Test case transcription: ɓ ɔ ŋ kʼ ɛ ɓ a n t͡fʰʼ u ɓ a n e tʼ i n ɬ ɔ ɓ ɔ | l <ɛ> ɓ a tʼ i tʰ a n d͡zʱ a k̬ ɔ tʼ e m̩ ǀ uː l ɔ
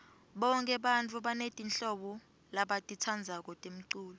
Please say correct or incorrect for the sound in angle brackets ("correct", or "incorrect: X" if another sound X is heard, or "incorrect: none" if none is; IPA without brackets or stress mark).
incorrect: a